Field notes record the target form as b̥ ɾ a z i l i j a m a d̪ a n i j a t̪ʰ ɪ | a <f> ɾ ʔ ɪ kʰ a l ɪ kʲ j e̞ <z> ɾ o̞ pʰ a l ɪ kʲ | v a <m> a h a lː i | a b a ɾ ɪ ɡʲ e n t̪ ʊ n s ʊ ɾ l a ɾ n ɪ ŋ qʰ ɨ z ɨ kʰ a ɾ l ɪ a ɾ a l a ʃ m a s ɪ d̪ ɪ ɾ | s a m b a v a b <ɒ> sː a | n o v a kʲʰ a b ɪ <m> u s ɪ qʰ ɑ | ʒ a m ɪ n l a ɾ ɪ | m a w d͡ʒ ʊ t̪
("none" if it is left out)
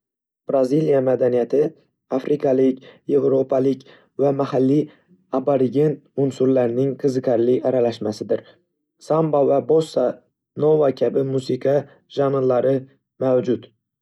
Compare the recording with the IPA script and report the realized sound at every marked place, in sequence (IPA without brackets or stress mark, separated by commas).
f, v, m, o, m